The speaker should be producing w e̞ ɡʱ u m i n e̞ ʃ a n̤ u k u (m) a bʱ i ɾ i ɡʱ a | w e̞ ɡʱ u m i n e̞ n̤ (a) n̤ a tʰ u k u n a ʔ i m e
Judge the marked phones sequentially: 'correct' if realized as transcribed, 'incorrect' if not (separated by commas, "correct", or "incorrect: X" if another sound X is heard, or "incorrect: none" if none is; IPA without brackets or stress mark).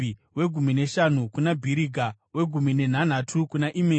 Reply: incorrect: n, correct